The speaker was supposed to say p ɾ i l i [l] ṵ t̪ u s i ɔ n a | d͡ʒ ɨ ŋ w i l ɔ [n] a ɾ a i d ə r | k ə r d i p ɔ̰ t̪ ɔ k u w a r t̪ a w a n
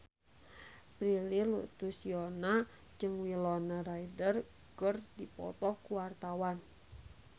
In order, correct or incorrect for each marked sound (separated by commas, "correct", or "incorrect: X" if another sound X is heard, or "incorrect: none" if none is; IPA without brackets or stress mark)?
correct, correct